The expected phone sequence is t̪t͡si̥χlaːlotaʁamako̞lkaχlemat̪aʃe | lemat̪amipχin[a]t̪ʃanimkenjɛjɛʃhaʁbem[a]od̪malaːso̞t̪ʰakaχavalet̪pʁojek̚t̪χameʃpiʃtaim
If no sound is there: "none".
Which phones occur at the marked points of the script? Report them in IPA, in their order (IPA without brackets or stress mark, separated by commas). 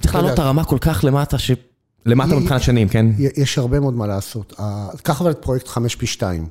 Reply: a, e